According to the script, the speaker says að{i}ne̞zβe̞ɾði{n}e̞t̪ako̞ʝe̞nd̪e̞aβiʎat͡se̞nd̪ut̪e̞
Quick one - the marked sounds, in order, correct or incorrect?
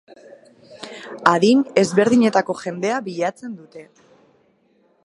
correct, incorrect: ɲ

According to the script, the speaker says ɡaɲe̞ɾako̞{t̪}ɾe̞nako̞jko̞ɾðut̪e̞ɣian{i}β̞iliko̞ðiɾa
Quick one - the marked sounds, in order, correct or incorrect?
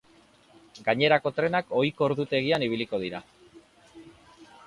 correct, correct

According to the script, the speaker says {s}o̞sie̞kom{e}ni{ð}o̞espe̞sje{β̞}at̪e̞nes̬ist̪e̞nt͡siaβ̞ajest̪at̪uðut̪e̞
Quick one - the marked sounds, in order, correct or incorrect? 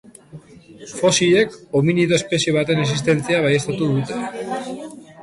incorrect: f, incorrect: i, correct, correct

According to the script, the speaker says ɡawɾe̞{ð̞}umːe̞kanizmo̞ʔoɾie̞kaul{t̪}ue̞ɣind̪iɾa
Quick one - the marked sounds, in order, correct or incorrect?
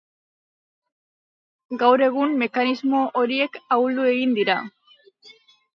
incorrect: ɣ̞, incorrect: d̪

